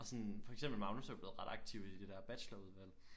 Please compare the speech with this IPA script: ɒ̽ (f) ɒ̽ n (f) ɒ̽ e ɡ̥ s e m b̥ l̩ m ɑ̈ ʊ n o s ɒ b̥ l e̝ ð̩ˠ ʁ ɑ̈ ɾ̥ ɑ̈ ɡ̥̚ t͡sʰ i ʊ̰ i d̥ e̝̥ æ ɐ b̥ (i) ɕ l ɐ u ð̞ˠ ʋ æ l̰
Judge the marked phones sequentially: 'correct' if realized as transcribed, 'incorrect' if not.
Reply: incorrect: s, correct, incorrect: æ

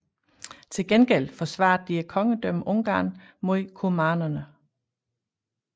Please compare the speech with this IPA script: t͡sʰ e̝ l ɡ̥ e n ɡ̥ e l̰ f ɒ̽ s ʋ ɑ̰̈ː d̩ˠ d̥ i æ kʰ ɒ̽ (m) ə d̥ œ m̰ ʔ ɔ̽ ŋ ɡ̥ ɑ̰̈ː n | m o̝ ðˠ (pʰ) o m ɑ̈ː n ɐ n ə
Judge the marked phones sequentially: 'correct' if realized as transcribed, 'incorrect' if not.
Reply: incorrect: ŋ, incorrect: kʰ

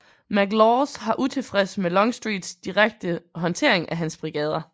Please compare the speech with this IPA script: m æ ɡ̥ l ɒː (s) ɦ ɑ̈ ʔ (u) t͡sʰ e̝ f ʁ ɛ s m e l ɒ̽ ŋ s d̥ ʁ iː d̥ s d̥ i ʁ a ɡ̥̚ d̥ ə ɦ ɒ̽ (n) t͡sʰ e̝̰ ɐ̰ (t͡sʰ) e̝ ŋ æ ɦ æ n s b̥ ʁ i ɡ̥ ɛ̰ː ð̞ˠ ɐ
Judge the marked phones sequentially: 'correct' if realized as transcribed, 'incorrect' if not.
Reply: correct, correct, correct, incorrect: none

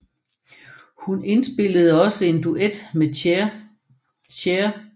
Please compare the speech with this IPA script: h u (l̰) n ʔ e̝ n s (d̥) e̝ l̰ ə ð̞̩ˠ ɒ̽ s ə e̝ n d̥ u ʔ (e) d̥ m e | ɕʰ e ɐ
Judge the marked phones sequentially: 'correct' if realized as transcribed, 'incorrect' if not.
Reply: incorrect: none, incorrect: b̥, correct

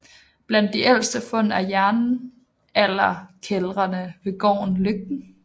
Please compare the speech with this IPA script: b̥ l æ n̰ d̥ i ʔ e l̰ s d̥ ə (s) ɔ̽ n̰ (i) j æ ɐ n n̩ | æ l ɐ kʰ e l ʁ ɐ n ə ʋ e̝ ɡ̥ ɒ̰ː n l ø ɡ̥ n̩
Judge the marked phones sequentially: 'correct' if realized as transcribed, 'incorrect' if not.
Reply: incorrect: f, incorrect: æ

